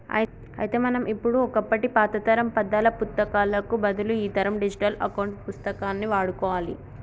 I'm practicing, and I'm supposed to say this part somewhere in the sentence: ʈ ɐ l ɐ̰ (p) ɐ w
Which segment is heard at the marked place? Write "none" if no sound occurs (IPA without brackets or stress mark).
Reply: k